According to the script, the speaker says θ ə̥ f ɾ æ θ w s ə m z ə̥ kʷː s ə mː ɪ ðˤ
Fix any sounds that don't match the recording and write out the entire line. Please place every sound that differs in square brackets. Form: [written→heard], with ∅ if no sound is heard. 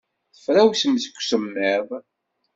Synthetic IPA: θ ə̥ f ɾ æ [θ→∅] w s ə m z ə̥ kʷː s ə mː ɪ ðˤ